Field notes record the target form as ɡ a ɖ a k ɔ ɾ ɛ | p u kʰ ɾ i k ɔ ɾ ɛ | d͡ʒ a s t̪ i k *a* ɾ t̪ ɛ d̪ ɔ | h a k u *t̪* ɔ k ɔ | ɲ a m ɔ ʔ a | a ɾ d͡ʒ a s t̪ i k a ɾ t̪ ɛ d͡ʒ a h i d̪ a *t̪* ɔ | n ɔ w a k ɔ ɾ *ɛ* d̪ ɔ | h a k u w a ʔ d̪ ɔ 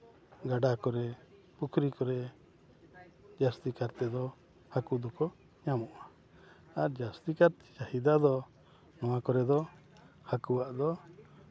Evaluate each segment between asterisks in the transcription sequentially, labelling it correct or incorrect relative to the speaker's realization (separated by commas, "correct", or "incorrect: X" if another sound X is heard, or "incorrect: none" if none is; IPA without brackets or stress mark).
correct, incorrect: d̪, incorrect: d̪, correct